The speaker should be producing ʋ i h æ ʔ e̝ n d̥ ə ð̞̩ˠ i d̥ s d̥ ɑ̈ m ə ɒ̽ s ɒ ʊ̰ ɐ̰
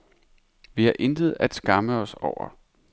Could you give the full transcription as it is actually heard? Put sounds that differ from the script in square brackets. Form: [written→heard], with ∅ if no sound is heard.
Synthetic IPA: ʋ i h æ ʔ e̝ n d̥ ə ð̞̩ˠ [i→æ] d̥ s [d̥→ɡ̥] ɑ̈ m ə ɒ̽ s ɒ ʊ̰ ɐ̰